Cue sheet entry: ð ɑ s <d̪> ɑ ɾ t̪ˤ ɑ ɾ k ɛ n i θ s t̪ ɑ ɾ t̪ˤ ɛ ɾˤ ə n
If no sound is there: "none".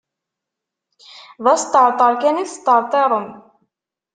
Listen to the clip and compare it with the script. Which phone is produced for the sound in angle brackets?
t̪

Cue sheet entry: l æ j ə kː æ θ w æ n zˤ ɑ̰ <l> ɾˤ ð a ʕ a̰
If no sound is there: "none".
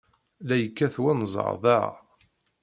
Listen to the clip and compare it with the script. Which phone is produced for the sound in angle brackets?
none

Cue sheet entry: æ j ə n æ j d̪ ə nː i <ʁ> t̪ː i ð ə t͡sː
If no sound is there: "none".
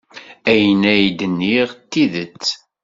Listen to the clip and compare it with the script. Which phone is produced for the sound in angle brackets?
ʁ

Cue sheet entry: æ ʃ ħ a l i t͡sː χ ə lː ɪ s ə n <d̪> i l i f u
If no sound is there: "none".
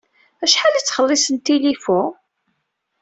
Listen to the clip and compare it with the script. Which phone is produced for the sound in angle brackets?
t̪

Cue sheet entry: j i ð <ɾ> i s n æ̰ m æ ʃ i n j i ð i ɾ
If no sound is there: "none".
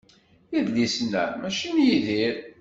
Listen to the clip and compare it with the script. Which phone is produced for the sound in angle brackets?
l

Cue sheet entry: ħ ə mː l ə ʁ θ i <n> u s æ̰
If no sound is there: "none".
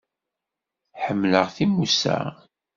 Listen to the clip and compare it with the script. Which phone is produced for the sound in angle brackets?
m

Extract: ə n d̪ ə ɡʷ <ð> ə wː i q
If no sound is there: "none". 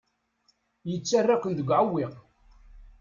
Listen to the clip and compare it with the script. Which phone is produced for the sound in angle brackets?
ʕ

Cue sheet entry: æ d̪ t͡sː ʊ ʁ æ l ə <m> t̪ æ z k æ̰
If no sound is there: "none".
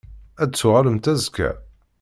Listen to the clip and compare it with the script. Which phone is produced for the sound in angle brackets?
m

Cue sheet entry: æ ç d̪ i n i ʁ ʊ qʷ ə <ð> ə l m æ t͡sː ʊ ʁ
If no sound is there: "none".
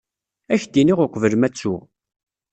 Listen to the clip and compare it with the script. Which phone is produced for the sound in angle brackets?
v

